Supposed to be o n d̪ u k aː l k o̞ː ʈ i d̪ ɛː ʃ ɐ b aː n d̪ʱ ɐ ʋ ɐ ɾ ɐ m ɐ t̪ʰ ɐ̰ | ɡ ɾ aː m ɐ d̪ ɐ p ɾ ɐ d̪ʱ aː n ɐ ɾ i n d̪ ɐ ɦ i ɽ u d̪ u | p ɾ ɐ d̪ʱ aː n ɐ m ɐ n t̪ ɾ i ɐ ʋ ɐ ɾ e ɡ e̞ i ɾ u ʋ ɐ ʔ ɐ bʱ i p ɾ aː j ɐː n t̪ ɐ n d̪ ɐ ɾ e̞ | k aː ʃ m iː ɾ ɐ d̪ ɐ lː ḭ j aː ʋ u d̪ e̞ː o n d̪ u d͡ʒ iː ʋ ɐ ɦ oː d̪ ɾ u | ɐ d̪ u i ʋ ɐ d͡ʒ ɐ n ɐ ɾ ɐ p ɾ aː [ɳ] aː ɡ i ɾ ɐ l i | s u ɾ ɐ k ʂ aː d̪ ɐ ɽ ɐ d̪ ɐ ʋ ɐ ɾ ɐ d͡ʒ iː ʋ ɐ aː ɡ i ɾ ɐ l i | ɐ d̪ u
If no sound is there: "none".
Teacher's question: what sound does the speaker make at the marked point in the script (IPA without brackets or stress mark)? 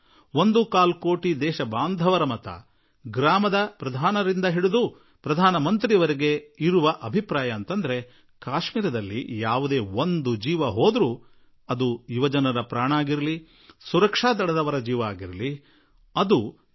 ɳ